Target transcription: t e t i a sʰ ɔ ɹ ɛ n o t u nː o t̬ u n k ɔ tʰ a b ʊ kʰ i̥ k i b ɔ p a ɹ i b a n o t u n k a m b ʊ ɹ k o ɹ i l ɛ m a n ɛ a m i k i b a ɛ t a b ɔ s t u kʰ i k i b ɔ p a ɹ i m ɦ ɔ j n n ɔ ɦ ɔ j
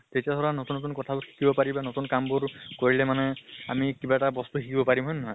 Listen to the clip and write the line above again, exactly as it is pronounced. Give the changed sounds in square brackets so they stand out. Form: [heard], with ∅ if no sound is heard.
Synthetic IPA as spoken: t e t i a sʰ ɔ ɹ [a] n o t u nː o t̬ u n k ɔ tʰ a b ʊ kʰ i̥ k i b ɔ p a ɹ i b a n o t u n k a m b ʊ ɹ k o ɹ i l ɛ m a n ɛ a m i k i b a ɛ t a b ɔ s t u kʰ i k i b ɔ p a ɹ i m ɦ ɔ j n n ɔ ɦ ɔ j